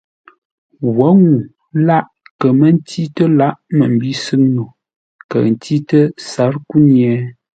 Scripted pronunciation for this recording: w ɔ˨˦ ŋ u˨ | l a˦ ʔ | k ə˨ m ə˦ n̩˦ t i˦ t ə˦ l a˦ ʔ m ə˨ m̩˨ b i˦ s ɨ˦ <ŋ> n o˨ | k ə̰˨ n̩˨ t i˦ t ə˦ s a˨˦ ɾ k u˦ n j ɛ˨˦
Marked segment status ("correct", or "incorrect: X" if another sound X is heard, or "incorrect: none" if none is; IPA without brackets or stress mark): correct